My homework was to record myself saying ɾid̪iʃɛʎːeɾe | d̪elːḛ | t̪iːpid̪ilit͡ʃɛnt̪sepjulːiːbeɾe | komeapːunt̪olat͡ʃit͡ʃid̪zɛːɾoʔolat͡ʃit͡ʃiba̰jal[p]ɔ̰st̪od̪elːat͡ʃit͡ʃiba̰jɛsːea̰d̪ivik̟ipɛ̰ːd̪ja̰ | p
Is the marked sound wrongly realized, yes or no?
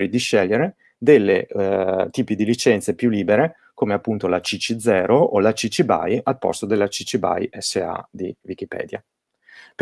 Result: no